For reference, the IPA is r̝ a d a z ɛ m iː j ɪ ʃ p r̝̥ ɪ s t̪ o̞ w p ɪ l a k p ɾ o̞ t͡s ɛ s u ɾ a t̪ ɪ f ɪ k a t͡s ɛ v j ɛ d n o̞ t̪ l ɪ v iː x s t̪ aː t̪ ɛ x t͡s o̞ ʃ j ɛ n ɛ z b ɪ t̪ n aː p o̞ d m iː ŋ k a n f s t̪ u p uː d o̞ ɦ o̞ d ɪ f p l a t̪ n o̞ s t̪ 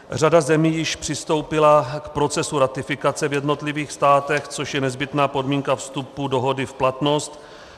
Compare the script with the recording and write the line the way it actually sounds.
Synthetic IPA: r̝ a d a z ɛ m iː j ɪ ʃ p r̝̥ ɪ s t̪ o̞ w p ɪ l a k p ɾ o̞ t͡s ɛ s u ɾ a t̪ ɪ f ɪ k a t͡s ɛ v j ɛ d n o̞ t̪ l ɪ v iː x s t̪ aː t̪ ɛ x t͡s o̞ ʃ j ɛ n ɛ z b ɪ t̪ n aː p o̞ d m iː ŋ k a f s t̪ u p u d o̞ ɦ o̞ d ɪ f p l a t̪ n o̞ s t̪